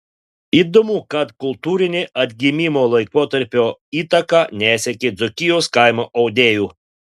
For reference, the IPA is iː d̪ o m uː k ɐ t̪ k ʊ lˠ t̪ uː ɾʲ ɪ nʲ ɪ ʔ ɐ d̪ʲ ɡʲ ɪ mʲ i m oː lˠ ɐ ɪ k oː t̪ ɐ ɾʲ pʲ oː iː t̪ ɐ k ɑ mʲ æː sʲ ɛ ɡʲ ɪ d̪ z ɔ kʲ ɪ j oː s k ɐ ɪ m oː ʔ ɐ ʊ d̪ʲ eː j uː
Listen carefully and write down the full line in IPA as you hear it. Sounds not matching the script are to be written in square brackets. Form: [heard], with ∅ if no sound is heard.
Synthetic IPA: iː d̪ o m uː k ɐ t̪ k ʊ lˠ t̪ uː ɾʲ ɪ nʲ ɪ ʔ ɐ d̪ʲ ɡʲ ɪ mʲ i m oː lˠ ɐ ɪ k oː t̪ ɐ ɾʲ pʲ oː iː t̪ ɐ k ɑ [nʲ] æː sʲ ɛ [kʲ] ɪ d̪ z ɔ kʲ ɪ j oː s k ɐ ɪ m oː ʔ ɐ ʊ d̪ʲ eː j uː

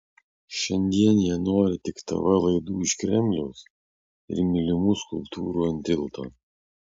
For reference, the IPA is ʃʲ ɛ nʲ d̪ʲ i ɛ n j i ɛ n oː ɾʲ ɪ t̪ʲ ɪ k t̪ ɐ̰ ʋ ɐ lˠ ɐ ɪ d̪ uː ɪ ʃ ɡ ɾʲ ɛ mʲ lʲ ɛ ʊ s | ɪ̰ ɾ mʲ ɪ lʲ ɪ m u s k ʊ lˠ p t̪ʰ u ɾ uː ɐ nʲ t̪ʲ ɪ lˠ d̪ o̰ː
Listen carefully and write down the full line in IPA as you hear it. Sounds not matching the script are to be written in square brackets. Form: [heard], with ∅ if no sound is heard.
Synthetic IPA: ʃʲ ɛ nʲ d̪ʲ i ɛ n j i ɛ n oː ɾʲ ɪ t̪ʲ ɪ k t̪ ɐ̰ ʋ ɐ lˠ ɐ ɪ d̪ uː ɪ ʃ [k] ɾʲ ɛ mʲ lʲ ɛ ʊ s | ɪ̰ ɾ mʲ ɪ lʲ ɪ m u s k ʊ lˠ p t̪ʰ [uː] ɾ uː ɐ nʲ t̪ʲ ɪ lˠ [t̪] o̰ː

